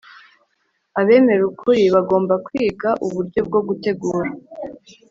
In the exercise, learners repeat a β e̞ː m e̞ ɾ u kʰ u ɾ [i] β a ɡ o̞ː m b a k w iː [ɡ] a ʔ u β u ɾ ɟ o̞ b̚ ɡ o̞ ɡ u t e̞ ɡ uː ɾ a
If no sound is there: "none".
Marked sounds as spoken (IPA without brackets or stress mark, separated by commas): i, ɡ